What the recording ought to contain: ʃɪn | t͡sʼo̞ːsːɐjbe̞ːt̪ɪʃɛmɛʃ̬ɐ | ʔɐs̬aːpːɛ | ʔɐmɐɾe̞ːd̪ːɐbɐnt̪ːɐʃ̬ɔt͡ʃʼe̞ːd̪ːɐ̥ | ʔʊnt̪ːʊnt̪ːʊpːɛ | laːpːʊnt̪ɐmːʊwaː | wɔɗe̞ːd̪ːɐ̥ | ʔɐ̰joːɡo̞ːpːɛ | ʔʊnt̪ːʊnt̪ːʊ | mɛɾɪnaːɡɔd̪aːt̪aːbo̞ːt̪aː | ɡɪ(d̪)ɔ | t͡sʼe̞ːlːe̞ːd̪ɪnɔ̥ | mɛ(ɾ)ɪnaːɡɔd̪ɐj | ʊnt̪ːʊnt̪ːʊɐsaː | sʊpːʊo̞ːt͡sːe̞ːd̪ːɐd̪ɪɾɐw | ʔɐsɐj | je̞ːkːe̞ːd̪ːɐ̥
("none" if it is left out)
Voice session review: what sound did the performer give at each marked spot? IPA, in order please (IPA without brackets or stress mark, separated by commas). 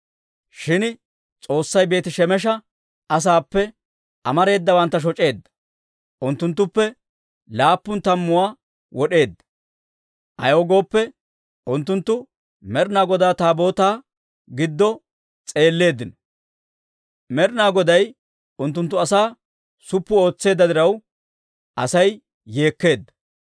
d̪ː, ɾ